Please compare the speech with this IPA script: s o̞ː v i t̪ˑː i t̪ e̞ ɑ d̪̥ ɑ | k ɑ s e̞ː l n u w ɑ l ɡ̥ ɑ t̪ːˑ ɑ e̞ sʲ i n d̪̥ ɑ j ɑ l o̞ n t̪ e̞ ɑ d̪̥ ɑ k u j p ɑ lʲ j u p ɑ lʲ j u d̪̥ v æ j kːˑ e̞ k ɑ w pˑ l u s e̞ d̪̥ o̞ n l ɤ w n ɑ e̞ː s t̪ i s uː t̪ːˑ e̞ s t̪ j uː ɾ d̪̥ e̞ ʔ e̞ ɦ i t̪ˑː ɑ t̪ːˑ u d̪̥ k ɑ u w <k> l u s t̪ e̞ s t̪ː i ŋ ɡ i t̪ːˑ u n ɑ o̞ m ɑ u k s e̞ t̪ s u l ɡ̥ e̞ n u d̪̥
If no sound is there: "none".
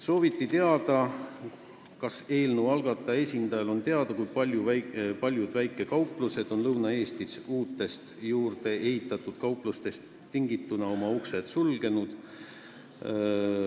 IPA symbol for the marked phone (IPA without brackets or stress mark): p